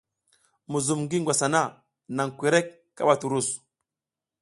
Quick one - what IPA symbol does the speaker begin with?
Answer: m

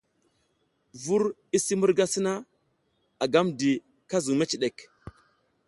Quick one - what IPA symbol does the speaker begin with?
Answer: v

